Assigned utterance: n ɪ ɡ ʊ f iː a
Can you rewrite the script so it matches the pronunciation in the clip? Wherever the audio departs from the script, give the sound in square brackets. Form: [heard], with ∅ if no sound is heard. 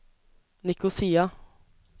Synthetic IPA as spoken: n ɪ [k] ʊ [s] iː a